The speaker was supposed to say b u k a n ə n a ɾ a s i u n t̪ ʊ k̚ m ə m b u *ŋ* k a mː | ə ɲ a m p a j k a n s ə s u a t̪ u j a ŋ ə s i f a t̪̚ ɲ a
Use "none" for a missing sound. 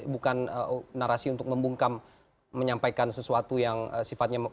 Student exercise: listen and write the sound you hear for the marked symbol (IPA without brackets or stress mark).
ŋ